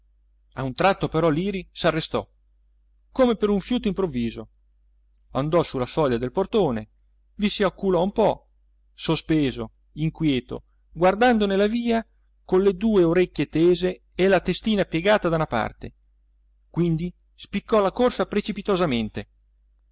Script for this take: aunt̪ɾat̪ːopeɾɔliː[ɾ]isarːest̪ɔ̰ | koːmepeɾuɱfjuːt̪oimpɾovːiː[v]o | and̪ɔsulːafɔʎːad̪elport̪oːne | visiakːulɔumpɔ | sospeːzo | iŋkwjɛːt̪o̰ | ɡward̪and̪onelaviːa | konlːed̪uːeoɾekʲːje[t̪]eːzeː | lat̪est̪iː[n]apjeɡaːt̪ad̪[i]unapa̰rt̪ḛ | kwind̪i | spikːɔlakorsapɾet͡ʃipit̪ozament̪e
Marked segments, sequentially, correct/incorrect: correct, incorrect, correct, correct, incorrect

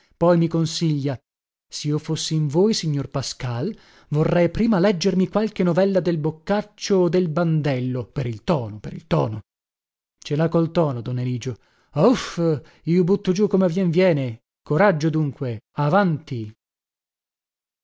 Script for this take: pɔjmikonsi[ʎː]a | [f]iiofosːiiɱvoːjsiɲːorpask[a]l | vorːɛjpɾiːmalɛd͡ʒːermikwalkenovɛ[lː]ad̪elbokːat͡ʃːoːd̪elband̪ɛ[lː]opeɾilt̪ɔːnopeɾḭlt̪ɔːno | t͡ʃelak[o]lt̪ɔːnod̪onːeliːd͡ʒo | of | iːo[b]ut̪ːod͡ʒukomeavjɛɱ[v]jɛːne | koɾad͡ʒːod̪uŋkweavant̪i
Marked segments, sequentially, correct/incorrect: correct, incorrect, correct, correct, correct, correct, correct, correct

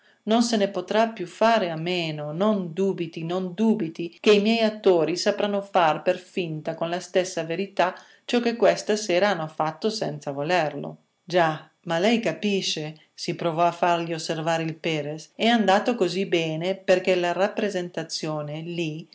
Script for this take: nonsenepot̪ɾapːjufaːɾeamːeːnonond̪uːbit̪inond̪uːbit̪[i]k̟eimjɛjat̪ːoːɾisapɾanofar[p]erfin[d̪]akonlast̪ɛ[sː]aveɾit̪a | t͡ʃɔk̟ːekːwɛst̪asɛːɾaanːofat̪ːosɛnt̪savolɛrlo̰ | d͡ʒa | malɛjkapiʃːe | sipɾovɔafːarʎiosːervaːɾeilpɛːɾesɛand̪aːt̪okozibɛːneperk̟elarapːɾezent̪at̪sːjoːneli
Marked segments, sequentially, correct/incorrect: correct, correct, incorrect, correct

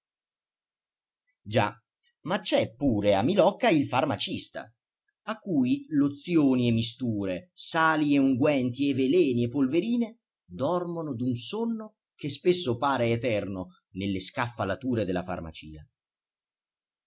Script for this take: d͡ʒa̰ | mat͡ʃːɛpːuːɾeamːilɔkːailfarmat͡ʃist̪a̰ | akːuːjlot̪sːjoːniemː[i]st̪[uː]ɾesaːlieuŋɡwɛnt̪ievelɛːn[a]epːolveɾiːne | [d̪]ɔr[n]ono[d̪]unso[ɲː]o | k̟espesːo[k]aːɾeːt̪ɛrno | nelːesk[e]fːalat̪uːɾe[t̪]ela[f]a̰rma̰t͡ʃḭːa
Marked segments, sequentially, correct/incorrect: correct, correct, incorrect, correct, incorrect, correct, incorrect, incorrect, incorrect, incorrect, correct

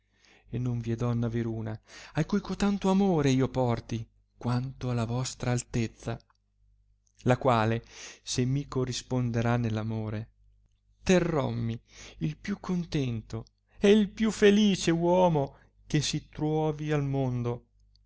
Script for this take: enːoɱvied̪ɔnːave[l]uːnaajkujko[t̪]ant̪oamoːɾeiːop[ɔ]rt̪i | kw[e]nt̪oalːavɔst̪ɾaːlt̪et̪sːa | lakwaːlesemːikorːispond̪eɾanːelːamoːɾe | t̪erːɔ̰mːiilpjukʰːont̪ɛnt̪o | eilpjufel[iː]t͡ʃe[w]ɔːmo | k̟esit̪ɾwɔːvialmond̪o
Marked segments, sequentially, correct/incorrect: incorrect, correct, correct, incorrect, correct, correct

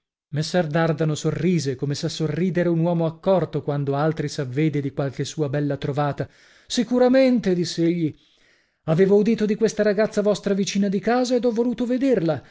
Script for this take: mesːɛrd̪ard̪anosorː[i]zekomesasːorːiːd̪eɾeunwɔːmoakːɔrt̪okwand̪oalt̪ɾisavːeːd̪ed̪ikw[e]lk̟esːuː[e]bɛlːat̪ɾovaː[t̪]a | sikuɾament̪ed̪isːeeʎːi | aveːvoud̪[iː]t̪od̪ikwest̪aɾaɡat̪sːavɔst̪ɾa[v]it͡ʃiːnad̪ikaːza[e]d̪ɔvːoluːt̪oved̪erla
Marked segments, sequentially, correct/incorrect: incorrect, incorrect, incorrect, correct, correct, correct, correct

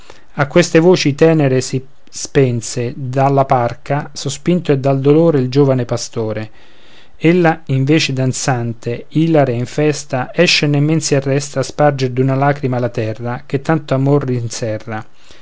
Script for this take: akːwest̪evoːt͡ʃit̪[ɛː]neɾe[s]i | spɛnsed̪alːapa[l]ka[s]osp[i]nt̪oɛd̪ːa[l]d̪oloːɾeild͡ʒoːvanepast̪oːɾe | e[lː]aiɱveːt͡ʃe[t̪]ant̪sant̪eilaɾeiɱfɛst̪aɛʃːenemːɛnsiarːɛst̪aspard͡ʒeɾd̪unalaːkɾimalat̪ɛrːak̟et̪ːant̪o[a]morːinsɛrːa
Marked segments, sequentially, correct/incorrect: correct, correct, incorrect, correct, correct, correct, correct, incorrect, correct

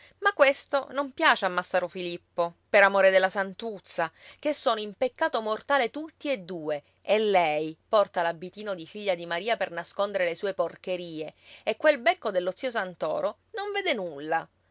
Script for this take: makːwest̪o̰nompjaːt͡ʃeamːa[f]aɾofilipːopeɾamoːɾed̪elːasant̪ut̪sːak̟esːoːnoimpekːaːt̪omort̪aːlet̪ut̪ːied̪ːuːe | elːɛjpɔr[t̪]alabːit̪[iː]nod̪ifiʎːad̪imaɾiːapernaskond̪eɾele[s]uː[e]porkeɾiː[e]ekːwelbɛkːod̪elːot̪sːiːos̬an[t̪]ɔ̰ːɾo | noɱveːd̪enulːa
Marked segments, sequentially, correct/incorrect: incorrect, correct, correct, correct, correct, correct, correct

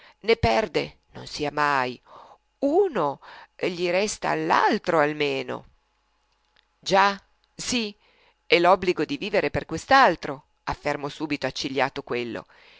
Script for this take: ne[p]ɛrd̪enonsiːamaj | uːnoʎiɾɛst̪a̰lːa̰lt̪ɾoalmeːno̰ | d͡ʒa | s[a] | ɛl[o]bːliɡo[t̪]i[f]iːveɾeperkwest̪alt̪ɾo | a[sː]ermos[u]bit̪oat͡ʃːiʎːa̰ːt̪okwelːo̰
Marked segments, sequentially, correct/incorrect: correct, incorrect, incorrect, incorrect, incorrect, incorrect, incorrect

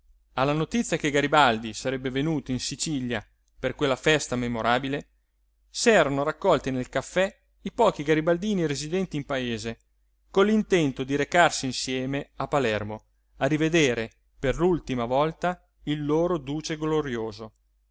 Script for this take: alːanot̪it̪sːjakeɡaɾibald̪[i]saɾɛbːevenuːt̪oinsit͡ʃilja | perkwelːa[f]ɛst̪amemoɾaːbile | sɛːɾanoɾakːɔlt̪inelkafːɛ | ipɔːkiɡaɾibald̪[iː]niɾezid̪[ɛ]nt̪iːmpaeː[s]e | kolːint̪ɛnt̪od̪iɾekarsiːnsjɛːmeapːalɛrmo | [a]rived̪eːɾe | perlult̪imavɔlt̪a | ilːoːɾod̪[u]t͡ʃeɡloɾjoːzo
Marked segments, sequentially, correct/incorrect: correct, correct, correct, correct, incorrect, correct, incorrect

